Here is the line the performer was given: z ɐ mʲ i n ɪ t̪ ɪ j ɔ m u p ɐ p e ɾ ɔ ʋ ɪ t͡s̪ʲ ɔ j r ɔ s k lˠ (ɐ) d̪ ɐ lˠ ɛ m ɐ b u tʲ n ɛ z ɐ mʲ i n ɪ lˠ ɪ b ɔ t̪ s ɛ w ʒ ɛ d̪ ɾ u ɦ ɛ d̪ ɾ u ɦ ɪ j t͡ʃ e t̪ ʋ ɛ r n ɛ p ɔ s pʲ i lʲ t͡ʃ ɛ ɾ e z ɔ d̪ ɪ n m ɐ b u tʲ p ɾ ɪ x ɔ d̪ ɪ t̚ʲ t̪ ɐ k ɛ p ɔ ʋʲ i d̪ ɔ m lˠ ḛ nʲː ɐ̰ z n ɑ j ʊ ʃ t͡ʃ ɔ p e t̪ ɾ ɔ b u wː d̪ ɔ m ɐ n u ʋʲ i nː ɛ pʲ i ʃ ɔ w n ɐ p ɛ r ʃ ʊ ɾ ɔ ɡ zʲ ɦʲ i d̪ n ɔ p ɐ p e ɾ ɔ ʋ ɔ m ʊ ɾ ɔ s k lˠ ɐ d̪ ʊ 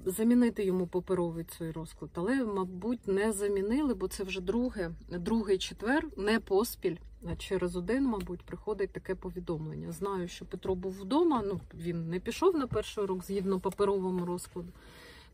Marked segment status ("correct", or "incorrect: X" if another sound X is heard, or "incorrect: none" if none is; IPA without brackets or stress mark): correct